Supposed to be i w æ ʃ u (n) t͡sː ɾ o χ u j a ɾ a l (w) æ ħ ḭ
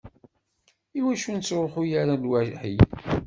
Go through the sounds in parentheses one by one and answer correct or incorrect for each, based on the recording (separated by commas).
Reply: correct, correct